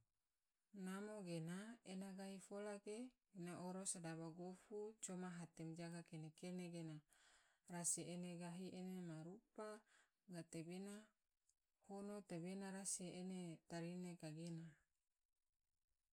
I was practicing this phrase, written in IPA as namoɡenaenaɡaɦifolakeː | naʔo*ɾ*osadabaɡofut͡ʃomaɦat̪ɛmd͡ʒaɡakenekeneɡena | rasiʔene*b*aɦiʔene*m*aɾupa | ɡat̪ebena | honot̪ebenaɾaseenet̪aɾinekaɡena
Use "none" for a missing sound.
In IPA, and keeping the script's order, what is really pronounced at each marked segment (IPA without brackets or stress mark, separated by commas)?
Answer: ɾ, ɡ, m